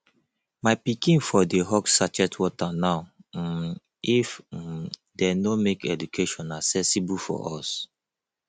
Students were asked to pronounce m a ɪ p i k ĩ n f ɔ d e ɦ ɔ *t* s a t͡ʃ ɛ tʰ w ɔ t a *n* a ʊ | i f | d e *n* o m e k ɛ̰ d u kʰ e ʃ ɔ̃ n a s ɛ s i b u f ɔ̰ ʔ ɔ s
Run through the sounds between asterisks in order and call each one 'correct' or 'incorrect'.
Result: incorrect: k, correct, correct

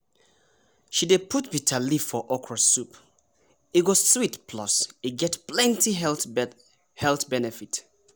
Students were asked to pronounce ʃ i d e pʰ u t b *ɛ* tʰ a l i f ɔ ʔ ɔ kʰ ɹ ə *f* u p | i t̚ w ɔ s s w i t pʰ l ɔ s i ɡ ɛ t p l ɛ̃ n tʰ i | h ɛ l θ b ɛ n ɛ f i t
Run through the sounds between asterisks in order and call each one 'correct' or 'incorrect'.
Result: incorrect: i, incorrect: s

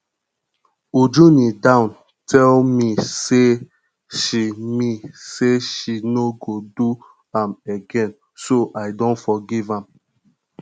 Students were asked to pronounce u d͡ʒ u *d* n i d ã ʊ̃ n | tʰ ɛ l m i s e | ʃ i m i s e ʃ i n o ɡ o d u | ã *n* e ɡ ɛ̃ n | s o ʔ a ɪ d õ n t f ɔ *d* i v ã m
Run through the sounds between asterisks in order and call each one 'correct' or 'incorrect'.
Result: incorrect: none, incorrect: m, incorrect: ɡ

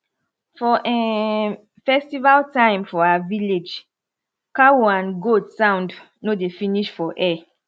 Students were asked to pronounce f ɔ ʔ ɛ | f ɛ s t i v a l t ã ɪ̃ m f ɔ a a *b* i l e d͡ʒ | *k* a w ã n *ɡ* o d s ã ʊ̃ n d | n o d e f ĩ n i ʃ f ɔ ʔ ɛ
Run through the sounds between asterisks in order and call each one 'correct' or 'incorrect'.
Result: incorrect: v, correct, correct

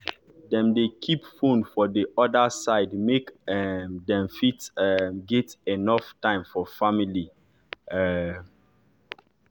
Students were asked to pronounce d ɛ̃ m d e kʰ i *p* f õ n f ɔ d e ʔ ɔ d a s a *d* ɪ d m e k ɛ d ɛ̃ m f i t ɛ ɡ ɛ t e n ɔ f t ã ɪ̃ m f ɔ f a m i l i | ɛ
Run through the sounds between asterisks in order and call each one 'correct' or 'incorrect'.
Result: correct, incorrect: none

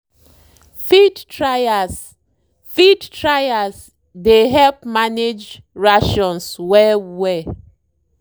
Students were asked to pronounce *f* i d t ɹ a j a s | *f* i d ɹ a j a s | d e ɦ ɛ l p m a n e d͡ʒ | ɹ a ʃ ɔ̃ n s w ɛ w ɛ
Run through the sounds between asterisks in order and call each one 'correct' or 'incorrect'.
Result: correct, correct

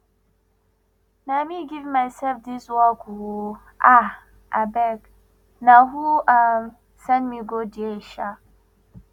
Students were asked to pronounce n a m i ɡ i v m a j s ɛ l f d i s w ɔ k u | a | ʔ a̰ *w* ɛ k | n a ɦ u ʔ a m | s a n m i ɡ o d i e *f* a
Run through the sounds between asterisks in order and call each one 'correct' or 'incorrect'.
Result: incorrect: b, incorrect: ʃ

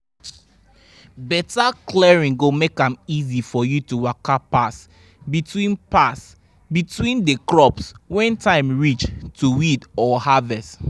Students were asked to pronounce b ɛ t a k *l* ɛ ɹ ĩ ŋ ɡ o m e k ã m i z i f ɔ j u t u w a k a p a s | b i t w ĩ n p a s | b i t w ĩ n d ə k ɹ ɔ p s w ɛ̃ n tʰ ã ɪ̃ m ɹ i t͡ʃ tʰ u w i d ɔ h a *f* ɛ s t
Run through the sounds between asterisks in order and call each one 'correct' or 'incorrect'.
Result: correct, incorrect: v

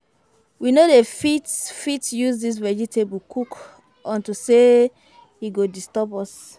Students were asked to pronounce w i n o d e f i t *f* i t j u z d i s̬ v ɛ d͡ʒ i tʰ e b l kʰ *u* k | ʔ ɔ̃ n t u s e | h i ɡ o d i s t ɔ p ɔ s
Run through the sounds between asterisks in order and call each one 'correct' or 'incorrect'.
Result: correct, correct

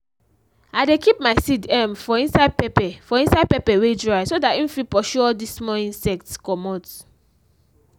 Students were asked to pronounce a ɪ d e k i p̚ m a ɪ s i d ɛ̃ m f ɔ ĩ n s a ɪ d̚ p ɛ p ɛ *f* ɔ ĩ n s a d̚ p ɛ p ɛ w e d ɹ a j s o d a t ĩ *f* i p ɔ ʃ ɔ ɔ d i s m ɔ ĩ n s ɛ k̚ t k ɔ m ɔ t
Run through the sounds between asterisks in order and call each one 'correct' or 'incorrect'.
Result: correct, correct

